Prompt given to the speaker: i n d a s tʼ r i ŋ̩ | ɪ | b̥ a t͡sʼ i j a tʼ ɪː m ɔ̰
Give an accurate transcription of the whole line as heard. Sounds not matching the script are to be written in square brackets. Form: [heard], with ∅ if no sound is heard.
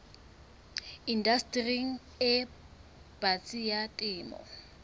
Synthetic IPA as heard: i n d a s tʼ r i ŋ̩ | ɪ | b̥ a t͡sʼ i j a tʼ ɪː m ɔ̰